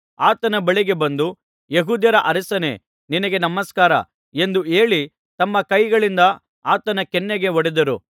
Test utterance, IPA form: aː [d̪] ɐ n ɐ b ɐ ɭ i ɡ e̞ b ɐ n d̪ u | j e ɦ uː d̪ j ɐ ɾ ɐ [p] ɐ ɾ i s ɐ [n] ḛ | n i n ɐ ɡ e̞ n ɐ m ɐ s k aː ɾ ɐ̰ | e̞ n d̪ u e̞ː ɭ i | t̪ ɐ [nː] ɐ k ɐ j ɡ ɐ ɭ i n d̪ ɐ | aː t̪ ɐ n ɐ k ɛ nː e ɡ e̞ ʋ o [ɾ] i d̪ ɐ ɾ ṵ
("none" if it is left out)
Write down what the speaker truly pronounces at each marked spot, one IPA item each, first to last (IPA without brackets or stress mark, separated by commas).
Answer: t̪, ʔ, n, mː, ɽ